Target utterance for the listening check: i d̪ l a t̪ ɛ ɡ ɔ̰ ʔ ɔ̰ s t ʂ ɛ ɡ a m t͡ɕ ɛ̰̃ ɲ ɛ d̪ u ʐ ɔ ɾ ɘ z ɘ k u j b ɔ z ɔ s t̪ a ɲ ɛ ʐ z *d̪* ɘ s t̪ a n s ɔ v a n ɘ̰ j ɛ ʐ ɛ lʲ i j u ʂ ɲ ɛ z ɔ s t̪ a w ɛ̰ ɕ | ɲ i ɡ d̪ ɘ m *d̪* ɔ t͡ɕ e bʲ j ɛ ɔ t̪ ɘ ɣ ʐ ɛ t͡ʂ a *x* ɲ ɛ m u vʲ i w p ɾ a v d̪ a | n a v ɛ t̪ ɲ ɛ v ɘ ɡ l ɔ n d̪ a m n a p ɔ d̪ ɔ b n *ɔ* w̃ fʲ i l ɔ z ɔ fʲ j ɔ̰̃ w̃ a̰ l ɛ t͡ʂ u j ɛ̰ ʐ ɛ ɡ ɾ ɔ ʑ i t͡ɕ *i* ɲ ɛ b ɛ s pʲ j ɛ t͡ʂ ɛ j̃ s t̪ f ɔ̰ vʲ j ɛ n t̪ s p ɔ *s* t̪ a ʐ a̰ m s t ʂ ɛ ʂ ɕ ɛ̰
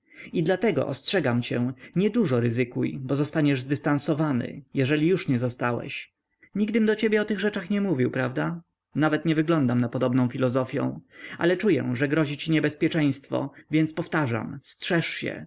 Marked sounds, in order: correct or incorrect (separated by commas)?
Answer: correct, correct, correct, incorrect, correct, incorrect